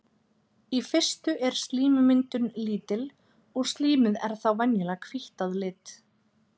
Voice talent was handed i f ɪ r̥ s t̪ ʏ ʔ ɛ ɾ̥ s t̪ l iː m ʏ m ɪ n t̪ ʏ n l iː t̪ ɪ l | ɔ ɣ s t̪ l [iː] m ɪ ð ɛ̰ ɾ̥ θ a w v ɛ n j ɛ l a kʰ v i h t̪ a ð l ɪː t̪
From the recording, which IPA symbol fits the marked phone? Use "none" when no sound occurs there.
iː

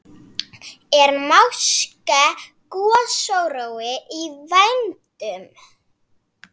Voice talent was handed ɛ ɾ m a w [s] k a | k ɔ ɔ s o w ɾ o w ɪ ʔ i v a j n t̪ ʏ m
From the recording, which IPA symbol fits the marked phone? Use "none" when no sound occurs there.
s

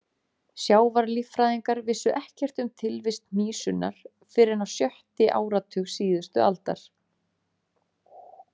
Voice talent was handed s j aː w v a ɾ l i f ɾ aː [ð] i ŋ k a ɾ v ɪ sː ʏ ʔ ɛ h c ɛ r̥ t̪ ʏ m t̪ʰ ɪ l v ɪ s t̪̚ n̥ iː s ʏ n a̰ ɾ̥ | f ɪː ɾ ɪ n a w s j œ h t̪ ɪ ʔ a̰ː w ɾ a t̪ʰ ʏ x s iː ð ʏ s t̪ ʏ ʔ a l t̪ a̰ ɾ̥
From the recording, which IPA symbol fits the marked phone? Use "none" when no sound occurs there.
ð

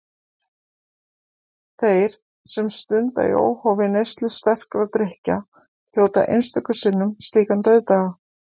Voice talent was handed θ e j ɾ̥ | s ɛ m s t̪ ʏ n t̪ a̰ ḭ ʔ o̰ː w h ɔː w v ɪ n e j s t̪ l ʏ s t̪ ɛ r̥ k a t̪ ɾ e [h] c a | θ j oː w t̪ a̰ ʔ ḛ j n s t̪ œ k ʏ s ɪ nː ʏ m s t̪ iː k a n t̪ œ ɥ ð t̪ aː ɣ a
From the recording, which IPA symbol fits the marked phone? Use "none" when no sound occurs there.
h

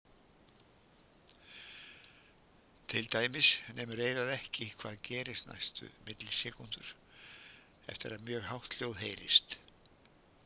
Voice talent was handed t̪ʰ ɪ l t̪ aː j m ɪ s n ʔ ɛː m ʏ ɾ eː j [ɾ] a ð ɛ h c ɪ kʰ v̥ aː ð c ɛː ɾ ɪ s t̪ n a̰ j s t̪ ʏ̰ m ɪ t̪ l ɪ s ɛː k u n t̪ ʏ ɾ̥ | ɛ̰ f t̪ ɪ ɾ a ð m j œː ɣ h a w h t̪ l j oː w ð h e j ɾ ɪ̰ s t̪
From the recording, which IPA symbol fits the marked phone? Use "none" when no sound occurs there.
ɾ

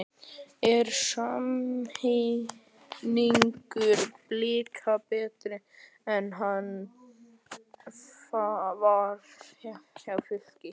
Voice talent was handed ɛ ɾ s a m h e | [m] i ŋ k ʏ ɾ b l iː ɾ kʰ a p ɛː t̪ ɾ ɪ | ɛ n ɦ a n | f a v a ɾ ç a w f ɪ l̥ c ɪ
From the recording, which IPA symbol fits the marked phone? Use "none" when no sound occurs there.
n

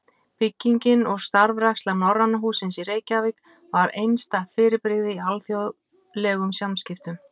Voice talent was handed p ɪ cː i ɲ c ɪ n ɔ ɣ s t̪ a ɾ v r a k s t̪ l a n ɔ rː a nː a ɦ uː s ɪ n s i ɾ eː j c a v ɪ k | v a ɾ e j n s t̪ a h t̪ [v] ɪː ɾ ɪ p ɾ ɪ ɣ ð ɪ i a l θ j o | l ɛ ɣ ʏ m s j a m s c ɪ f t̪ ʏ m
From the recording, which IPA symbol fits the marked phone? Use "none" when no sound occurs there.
f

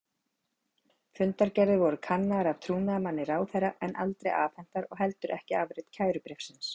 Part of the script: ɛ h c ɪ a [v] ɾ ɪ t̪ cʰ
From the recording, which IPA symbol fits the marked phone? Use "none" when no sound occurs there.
v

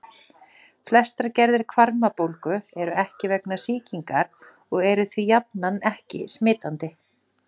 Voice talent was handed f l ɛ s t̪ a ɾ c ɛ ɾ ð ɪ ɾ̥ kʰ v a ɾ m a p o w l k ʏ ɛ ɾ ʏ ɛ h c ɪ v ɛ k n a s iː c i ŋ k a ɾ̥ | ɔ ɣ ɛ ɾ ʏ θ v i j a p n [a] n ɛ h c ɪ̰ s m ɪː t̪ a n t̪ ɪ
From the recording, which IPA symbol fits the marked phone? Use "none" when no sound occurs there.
a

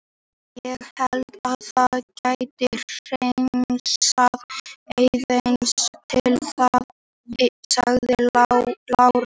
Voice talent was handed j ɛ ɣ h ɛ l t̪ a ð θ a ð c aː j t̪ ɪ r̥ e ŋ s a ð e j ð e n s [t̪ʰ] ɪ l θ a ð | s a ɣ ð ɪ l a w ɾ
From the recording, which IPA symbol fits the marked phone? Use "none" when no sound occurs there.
t̪ʰ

